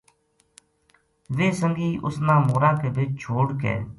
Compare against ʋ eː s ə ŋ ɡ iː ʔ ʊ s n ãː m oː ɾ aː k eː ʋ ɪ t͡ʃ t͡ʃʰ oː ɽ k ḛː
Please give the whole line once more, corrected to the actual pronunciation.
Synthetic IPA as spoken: ʋ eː s ə ŋ ɡ iː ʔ ʊ s n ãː m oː ɾ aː k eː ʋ ɪ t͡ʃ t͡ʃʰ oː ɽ k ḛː